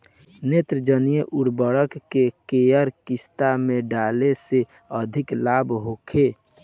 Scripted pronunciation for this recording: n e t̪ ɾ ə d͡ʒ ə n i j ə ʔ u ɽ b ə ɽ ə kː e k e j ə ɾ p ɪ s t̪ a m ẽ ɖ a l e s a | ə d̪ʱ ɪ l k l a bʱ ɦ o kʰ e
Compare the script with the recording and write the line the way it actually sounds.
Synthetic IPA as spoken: n e t̪ ɾ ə d͡ʒ ə n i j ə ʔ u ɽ b ə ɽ ə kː e k e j ə ɾ k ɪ s t̪ a m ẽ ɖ a l e s e | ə d̪ʱ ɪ k l a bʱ ɦ o kʰ e